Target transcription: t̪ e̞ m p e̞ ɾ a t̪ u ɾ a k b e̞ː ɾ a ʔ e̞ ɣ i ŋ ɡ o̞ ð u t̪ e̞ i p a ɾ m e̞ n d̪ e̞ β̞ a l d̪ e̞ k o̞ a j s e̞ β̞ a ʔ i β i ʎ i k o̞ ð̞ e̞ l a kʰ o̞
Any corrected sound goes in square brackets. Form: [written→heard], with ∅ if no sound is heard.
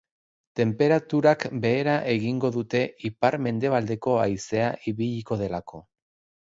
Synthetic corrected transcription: t̪ e̞ m p e̞ ɾ a t̪ u ɾ a k b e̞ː ɾ a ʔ e̞ ɣ i ŋ ɡ o̞ ð u t̪ e̞ i p a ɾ m e̞ n d̪ e̞ β̞ a l d̪ e̞ k o̞ a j s e̞ [β̞→∅] a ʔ i β i ʎ i k o̞ ð̞ e̞ l a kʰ o̞